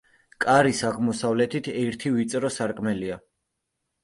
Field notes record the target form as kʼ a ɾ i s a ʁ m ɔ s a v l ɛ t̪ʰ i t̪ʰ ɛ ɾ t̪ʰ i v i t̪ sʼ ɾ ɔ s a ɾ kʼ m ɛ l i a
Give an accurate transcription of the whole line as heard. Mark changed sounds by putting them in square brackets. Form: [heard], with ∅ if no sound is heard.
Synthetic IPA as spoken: kʼ a ɾ i s a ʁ m ɔ s a v l ɛ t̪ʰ i t̪ʰ ɛ ɾ t̪ʰ i v i t̪ sʼ ɾ ɔ s a ɾ kʼ m ɛ l i a